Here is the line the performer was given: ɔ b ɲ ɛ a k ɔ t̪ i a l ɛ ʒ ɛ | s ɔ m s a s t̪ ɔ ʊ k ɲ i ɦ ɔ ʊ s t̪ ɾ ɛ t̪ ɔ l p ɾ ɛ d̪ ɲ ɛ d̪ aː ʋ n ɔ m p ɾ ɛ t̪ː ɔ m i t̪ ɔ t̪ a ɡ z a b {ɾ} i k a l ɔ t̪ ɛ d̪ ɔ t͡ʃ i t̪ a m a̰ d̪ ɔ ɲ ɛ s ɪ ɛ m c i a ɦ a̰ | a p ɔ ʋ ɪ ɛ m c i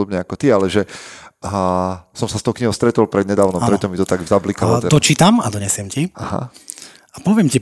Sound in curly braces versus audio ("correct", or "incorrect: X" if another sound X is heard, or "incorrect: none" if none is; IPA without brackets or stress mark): incorrect: l